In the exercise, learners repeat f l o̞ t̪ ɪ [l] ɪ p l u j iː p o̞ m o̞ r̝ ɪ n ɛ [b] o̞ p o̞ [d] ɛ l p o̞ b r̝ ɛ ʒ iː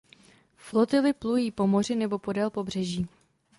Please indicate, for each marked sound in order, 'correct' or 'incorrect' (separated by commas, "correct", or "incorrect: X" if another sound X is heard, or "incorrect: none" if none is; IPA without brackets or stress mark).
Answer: correct, correct, correct